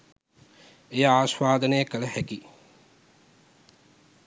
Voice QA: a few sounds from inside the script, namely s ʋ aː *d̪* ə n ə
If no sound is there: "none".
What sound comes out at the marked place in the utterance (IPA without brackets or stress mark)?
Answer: d̪